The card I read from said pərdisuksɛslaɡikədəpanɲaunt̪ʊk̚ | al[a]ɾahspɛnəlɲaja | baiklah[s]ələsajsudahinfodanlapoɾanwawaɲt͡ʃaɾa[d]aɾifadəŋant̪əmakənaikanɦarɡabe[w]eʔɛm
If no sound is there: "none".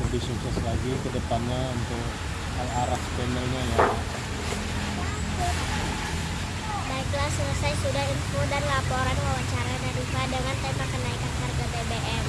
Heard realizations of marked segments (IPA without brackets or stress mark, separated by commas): a, s, n, b